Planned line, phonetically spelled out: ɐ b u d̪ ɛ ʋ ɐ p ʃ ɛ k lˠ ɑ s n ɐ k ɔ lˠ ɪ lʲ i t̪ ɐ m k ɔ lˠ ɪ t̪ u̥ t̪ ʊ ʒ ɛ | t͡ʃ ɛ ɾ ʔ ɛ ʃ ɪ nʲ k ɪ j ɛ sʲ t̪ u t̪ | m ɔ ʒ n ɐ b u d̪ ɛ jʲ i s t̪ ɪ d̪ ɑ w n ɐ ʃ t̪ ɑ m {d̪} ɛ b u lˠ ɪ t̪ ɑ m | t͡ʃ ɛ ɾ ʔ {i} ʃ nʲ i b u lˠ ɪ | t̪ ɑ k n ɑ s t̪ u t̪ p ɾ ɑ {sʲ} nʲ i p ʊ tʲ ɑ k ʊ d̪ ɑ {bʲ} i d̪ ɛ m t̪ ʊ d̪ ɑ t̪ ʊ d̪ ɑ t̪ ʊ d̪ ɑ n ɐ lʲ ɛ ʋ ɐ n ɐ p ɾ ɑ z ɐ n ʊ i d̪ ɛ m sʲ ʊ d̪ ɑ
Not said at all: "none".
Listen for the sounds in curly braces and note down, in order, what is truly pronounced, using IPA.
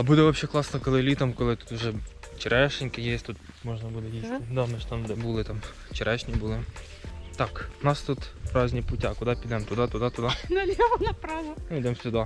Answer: d̪, ɛ, zʲ, pʲ

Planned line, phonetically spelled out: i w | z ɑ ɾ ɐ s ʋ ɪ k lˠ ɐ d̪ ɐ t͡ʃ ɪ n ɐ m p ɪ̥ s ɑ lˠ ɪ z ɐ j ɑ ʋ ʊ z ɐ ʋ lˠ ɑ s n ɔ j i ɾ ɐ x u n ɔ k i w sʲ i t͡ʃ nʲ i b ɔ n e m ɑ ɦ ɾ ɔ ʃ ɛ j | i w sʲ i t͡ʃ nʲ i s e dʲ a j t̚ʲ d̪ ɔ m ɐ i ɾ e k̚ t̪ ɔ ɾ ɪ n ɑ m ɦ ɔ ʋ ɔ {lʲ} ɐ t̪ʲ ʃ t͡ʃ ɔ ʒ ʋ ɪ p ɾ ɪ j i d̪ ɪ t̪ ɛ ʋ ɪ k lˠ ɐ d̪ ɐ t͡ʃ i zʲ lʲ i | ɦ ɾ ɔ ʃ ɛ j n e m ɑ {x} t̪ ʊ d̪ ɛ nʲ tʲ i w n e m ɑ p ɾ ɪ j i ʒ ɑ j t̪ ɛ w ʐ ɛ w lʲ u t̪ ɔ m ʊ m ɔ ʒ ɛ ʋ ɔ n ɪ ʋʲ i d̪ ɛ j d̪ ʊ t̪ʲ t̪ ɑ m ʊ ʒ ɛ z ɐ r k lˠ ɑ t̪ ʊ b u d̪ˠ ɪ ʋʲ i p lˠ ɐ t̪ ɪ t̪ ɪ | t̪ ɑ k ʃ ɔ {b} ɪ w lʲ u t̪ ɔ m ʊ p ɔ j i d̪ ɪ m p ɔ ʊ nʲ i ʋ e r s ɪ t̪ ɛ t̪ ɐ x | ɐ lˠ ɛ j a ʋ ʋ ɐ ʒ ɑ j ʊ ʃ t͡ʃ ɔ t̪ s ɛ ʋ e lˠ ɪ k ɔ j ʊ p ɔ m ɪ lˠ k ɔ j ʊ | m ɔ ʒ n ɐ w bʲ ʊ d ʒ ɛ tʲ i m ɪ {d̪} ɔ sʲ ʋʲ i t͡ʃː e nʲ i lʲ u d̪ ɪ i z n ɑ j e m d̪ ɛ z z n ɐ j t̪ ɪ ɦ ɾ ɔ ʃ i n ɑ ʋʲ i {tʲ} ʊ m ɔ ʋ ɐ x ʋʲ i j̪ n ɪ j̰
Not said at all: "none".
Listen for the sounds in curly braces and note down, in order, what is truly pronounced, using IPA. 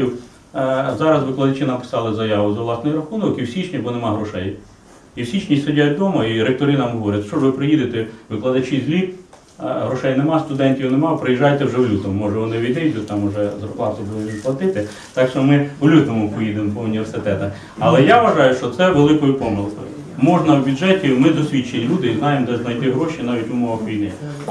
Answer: ɾʲ, s, m, d̪, tʲ

